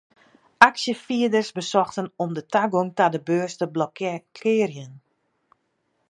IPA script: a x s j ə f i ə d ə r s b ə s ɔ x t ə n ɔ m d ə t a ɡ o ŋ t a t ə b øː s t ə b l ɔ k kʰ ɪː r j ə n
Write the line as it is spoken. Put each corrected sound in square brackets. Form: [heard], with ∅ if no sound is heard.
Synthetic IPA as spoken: a [k] s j ə f i ə d ə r s b ə s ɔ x t ə n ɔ m d ə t a ɡ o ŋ t a [d] ə b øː s t ə b l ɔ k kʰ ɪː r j ə n